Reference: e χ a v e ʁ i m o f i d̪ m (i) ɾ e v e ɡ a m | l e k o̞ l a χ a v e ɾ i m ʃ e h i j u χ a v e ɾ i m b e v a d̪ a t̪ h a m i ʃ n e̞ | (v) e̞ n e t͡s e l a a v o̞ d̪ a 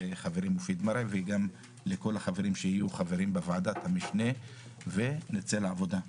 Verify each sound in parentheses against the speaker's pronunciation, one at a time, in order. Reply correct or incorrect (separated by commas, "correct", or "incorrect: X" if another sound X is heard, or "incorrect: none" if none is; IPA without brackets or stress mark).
incorrect: a, correct